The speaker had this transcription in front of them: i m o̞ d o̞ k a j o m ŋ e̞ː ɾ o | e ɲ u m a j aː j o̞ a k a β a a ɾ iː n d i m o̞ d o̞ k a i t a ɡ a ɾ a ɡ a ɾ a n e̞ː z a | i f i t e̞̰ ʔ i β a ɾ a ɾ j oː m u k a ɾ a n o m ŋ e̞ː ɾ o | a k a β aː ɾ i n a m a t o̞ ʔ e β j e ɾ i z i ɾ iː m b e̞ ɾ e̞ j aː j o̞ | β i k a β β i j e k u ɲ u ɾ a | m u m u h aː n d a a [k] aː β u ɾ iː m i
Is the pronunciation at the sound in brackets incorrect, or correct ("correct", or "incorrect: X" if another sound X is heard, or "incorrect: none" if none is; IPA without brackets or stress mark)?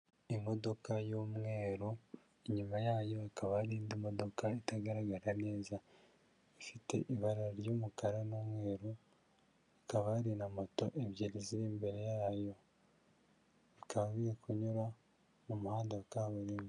correct